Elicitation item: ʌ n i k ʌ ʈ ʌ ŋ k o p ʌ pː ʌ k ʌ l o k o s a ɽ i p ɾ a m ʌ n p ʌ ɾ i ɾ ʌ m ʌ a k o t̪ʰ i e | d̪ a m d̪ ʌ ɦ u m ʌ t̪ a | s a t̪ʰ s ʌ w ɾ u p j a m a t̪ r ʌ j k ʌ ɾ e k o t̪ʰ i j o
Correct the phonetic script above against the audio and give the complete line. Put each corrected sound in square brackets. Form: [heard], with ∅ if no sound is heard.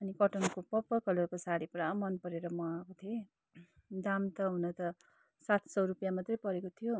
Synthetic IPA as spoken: ʌ n i k ʌ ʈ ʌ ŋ k o p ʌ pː ʌ k ʌ l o k o s a ɽ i p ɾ a m ʌ n p ʌ ɾ [e] ɾ ʌ m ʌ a k o t̪ʰ i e | d̪ a m [t̪] ʌ ɦ u [n] ʌ t̪ [ʌ] | s a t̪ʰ s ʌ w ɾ u p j a m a t̪ r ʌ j [p] ʌ ɾ e k o t̪ʰ i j o